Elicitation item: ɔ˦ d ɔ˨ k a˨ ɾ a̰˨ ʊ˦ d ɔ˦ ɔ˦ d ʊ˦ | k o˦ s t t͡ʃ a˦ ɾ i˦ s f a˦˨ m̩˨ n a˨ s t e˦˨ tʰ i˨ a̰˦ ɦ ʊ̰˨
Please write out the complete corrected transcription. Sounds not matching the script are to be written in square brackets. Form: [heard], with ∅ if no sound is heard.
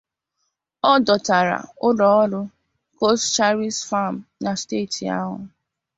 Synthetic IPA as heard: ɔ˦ d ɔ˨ [t] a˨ ɾ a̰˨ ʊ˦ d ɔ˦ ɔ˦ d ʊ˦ | k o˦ s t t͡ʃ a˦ ɾ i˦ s f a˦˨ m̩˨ n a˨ s t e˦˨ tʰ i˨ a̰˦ ɦ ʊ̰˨